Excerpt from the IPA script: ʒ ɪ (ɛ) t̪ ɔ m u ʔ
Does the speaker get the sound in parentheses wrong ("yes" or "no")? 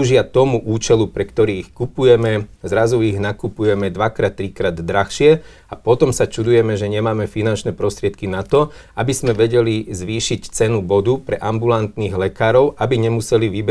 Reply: yes